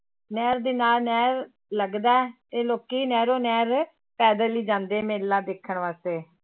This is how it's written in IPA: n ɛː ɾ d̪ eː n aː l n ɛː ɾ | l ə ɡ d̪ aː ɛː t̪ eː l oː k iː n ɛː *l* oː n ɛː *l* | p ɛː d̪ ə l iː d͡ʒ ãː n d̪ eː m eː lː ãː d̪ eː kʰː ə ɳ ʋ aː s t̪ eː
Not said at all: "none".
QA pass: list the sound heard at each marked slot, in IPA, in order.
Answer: ɾ, ɾ

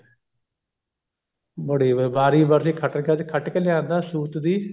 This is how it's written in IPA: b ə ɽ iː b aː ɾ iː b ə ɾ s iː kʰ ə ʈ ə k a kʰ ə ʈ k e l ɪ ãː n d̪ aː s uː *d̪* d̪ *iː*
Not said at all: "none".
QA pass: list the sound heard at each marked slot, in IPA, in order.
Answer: t̪, iː

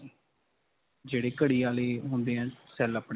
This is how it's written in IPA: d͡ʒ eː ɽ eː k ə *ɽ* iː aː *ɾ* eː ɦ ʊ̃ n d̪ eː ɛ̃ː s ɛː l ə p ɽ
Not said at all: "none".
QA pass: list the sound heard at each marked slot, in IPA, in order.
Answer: ɽ, l

